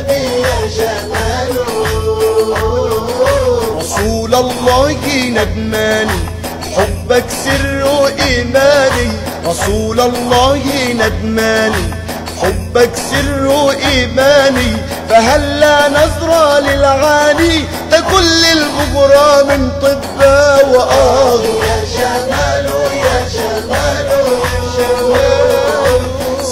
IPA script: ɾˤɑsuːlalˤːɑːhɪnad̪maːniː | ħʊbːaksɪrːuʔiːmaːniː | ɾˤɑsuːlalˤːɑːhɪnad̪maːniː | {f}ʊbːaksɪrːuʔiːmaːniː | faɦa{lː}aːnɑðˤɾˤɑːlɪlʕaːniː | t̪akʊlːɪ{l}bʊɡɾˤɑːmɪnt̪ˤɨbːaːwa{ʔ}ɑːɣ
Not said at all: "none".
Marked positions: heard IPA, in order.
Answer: ħ, lː, l, ʔ

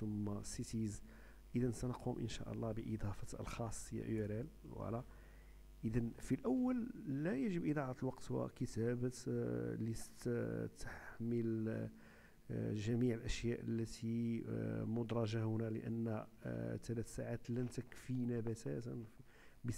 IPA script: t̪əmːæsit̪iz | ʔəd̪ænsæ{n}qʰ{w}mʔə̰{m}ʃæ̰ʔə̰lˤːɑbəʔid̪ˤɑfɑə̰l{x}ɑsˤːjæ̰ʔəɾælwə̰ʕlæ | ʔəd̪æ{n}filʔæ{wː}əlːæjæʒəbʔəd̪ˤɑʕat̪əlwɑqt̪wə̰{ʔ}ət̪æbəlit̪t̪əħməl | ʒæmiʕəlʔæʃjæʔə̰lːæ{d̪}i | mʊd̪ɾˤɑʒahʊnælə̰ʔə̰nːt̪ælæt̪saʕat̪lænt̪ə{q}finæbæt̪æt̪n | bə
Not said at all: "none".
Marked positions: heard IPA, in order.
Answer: n, u, n, x, n, wː, k, t̪, k

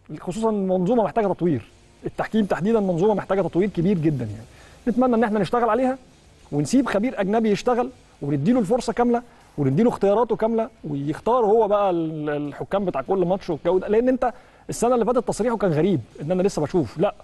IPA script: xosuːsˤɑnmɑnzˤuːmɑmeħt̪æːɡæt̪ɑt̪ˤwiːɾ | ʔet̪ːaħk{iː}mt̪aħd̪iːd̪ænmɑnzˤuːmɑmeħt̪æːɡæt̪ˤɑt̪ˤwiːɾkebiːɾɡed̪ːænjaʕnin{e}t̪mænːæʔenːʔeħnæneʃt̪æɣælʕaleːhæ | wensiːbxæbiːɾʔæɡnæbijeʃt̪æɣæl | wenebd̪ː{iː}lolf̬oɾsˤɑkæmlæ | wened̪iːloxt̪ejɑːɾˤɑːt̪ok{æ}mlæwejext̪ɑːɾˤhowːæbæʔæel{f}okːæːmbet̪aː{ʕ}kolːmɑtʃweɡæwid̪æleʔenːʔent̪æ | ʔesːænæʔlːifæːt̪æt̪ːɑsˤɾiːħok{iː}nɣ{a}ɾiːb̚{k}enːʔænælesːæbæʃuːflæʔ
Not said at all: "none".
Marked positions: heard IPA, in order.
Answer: iː, e, iː, æ, ħ, ʕ, æː, æ, ʔ

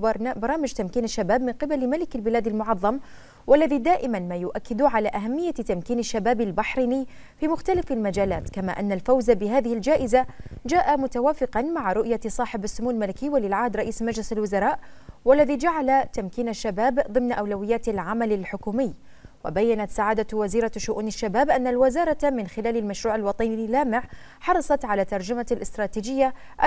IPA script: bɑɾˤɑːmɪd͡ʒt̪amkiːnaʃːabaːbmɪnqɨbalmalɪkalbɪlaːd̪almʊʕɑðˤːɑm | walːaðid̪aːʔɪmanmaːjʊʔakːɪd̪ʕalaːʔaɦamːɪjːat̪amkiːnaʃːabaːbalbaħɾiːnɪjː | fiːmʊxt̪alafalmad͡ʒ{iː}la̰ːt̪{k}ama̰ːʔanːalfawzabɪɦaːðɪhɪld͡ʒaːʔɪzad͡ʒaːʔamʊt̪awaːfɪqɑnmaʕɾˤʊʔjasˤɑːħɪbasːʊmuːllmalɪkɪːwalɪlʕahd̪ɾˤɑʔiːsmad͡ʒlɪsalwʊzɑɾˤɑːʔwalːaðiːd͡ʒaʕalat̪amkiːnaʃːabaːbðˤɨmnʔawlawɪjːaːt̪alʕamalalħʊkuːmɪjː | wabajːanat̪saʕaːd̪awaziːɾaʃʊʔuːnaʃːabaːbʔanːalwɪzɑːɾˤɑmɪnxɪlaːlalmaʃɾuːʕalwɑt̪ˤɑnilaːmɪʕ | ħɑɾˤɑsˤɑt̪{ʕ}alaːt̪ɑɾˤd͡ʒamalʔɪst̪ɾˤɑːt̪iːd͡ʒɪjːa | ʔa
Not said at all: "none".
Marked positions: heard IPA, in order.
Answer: aː, k, ʕ

